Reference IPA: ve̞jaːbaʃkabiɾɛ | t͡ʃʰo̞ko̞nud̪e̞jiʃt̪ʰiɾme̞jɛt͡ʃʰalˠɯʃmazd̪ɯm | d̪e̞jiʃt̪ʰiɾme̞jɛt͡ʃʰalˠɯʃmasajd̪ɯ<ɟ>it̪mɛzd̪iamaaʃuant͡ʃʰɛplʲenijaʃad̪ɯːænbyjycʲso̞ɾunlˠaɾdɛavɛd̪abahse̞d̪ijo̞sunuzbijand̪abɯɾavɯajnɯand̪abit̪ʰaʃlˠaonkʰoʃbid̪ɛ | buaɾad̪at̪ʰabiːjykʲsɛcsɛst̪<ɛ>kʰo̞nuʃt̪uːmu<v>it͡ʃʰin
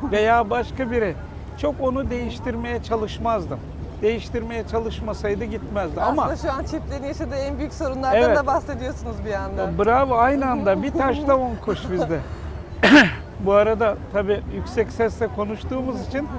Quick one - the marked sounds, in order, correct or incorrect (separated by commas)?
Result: correct, correct, incorrect